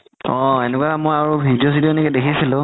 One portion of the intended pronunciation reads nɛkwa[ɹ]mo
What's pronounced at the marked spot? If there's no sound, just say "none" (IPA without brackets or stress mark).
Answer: none